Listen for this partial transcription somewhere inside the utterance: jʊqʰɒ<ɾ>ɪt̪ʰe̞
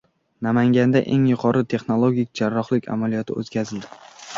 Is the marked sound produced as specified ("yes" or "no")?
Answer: yes